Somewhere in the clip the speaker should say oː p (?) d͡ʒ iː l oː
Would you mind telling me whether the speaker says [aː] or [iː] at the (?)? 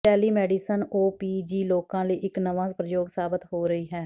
iː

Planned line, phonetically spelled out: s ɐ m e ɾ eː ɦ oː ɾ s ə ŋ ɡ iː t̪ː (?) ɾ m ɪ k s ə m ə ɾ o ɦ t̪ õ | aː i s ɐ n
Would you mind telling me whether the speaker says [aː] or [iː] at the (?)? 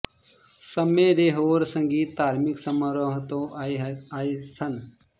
aː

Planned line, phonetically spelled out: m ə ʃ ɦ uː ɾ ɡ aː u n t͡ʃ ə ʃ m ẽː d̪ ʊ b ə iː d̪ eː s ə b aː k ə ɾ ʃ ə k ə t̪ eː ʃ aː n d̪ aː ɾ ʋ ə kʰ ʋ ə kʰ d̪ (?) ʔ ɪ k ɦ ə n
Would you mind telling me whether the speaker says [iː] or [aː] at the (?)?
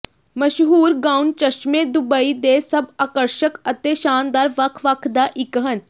aː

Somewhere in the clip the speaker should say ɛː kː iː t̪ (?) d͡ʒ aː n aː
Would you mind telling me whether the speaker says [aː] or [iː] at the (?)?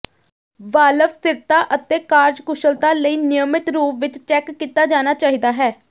aː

